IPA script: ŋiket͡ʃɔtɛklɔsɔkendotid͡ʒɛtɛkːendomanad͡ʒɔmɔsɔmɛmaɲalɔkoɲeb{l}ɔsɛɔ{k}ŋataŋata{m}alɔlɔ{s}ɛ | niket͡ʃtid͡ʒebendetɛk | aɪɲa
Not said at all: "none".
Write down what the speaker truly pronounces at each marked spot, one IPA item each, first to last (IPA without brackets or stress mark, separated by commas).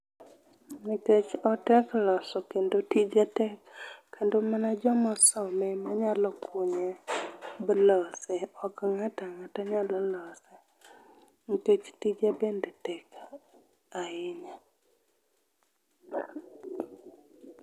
l, k, ɲ, s